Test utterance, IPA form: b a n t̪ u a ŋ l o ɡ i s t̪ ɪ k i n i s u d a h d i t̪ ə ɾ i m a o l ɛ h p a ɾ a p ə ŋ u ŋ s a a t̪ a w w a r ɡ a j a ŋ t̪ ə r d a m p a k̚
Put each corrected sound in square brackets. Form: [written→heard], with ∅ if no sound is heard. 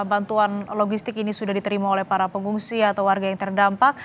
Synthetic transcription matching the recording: b a n t̪ u a [ŋ→n] l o ɡ i s t̪ ɪ k i n i s u d a h d i t̪ ə ɾ i m a o l ɛ h p a ɾ a p ə ŋ u ŋ s [a→i] a t̪ a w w a r ɡ a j a ŋ t̪ ə r d a m p a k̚